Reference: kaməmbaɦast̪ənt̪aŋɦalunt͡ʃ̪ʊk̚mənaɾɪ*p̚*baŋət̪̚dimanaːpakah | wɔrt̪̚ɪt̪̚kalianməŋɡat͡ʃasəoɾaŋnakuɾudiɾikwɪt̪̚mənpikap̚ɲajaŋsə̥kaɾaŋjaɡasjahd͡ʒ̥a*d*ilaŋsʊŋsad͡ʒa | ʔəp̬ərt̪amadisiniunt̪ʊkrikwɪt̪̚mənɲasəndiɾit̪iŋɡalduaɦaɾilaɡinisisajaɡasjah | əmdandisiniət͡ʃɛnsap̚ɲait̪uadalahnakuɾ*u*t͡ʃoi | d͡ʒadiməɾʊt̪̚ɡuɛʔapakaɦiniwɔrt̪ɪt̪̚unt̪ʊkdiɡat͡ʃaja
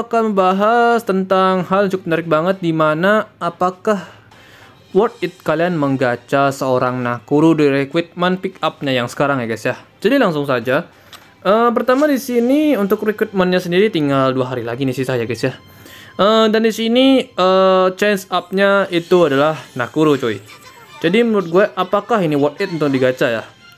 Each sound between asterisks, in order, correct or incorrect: incorrect: k̚, correct, correct

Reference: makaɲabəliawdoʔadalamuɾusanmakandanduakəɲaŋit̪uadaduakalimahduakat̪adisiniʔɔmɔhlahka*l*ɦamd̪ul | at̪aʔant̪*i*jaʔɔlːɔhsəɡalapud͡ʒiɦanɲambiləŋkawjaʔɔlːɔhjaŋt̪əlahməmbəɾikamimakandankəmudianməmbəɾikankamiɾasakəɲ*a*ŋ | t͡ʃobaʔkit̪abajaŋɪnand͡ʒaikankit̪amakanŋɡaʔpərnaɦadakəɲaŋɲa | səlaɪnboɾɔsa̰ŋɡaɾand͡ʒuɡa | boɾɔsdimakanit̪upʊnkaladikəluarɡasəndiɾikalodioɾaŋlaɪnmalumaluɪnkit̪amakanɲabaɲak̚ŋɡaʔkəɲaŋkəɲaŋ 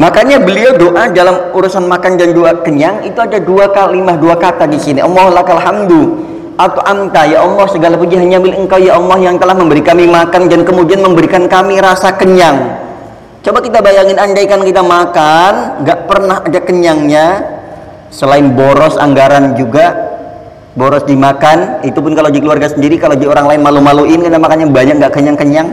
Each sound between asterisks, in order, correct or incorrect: correct, incorrect: a, correct

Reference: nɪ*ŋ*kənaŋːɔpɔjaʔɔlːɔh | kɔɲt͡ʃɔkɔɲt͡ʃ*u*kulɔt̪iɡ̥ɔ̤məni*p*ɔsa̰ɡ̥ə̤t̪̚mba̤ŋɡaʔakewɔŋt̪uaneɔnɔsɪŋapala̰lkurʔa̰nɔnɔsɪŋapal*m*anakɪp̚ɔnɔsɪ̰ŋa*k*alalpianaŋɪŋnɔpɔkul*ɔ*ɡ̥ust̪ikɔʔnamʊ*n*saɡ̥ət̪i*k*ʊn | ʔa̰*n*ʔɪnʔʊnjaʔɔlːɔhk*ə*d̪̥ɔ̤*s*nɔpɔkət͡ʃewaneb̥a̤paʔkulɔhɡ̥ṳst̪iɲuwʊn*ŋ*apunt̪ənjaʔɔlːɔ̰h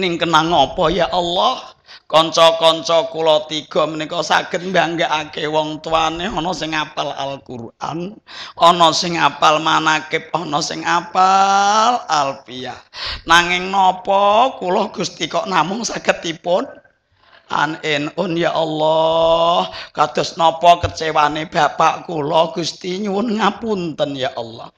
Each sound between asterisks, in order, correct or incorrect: correct, incorrect: ɔ, incorrect: k, correct, incorrect: p, correct, incorrect: ŋ, incorrect: p, correct, incorrect: a, correct, correct

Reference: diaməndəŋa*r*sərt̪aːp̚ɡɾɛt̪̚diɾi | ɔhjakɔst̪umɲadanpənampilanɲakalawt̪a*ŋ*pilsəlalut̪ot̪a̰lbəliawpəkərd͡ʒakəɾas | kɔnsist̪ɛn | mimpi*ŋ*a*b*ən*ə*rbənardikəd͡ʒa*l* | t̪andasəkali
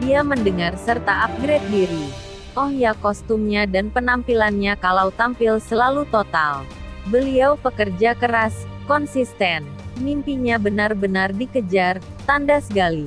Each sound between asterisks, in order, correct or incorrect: correct, incorrect: m, incorrect: ɲ, correct, incorrect: a, incorrect: r

